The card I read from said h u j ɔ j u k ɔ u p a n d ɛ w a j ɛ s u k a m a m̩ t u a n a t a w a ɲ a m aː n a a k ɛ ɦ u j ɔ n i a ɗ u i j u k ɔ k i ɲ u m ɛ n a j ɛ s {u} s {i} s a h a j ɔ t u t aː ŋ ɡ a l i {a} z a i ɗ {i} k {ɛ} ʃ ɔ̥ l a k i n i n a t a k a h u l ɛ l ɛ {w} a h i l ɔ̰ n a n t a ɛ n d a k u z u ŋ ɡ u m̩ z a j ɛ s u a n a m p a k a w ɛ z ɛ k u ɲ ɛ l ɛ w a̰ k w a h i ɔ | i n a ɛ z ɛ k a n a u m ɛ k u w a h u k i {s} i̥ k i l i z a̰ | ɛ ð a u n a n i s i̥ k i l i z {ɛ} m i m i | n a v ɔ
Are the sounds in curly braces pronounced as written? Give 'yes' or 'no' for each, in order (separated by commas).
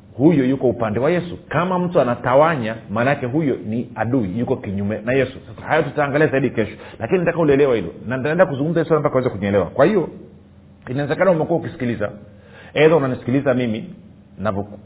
yes, no, yes, yes, yes, yes, yes, no